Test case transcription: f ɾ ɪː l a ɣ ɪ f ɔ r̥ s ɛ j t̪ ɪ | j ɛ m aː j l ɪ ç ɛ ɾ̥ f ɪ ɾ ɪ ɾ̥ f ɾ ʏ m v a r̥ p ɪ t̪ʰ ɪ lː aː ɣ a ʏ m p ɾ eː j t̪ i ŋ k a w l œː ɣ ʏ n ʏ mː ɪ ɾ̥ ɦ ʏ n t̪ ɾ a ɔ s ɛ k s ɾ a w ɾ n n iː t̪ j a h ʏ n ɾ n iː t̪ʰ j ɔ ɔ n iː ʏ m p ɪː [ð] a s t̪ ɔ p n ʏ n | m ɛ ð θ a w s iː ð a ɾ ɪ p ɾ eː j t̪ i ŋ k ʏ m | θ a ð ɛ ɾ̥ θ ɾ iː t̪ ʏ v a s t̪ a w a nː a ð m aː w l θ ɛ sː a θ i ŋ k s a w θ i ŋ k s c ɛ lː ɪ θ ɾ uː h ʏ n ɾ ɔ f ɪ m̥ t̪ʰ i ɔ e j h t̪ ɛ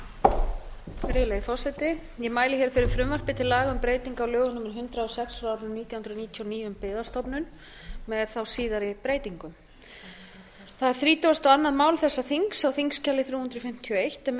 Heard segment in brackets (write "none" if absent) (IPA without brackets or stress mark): ð